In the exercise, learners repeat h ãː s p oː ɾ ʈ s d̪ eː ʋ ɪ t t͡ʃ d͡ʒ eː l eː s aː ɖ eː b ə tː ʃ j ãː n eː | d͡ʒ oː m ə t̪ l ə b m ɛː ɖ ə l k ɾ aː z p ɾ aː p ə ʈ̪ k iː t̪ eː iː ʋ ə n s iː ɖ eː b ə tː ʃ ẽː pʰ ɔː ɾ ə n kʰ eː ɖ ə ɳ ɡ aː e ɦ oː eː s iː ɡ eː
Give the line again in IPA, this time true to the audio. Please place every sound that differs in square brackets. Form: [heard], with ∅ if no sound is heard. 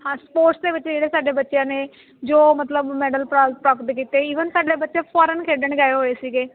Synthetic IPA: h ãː s p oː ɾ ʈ s d̪ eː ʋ ɪ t t͡ʃ d͡ʒ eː [ɽ] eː s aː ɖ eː b ə tː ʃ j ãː n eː | d͡ʒ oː m ə t̪ l ə b m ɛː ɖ ə l [p] ɾ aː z p ɾ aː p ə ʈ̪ k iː t̪ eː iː ʋ ə n s [aː] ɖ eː b ə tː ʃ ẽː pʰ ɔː ɾ ə n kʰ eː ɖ ə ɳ ɡ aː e ɦ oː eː s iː ɡ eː